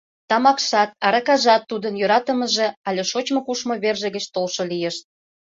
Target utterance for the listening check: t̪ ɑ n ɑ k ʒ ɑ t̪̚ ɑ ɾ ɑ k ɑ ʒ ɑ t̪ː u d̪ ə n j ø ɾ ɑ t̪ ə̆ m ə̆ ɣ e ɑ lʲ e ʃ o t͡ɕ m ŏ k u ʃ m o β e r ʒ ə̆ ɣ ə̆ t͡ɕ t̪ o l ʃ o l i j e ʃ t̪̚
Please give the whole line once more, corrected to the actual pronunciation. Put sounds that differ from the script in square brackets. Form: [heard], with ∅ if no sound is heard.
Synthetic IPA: t̪ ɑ [m] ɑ k [ʃ] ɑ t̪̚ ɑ ɾ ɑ k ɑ ʒ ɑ t̪ː u d̪ ə n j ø ɾ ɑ t̪ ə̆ m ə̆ [ʒ] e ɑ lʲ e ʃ o t͡ɕ m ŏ k u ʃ m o β e r ʒ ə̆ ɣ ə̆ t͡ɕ t̪ o l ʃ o l i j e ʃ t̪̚